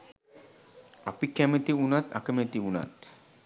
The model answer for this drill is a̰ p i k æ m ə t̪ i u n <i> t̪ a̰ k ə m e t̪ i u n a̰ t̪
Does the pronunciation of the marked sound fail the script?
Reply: yes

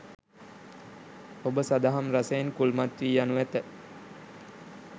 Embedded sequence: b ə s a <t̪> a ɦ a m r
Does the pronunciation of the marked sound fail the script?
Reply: yes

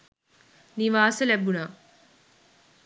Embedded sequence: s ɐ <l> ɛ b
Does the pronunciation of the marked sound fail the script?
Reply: no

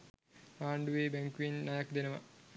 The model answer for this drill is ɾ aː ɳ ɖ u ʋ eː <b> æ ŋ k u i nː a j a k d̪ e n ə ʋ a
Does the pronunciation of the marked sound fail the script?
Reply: no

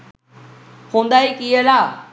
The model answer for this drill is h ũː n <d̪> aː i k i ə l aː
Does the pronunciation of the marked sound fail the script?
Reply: no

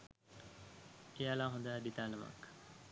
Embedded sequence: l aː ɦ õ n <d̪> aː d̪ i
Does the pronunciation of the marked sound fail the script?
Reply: no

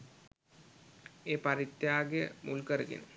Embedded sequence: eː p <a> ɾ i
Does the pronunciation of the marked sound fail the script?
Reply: no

